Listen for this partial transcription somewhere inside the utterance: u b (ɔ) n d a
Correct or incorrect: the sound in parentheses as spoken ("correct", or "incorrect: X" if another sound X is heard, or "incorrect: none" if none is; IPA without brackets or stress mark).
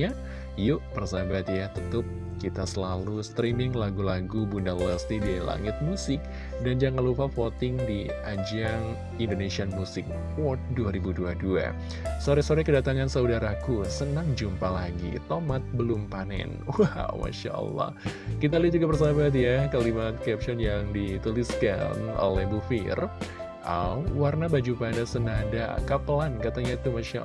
incorrect: u